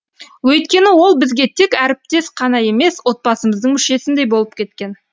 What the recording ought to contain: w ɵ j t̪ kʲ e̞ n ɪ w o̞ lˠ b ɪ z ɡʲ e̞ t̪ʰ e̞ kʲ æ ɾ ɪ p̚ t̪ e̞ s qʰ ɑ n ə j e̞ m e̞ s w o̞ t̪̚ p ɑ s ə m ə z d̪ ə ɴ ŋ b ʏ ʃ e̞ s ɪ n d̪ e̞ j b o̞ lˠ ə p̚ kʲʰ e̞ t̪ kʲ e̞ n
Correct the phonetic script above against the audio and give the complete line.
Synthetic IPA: w ɵ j t̪ kʲ e̞ n ɪ w o̞ lˠ b ɪ z ɡʲ e̞ t̪ʰ e̞ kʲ æ ɾ ɪ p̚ t̪ e̞ s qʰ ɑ n ɑ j e̞ m e̞ s w o̞ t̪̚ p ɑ s ə m ə z d̪ ə ɴ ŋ m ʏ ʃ e̞ s ɪ n d̪ e̞ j b o̞ lˠ ə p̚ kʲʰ e̞ t̪ kʲ e̞ n